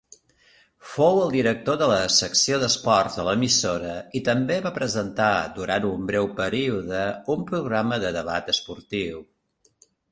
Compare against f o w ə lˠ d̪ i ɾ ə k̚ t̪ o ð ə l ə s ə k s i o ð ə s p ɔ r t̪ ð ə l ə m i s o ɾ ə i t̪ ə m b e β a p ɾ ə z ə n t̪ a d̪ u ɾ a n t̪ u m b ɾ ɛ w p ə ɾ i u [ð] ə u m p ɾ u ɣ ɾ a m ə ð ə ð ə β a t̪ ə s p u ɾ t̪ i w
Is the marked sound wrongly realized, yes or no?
no